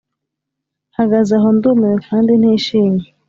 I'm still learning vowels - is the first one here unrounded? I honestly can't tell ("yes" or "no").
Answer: yes